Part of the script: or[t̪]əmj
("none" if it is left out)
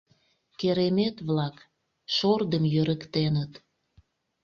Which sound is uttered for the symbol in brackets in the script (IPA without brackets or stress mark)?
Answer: d̪